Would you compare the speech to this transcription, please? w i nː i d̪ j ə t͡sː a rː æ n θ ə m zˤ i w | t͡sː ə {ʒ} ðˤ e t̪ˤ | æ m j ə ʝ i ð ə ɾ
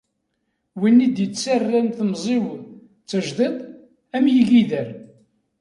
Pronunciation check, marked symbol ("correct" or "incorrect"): correct